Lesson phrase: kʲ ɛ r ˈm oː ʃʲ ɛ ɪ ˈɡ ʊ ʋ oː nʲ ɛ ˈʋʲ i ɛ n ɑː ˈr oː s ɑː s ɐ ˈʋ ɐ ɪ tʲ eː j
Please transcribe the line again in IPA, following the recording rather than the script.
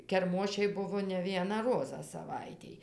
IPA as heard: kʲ ɛ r ˈm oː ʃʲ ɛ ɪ ˈb ʊ ʋ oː nʲ ɛ ˈʋʲ i ɛ n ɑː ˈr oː z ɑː s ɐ ˈʋ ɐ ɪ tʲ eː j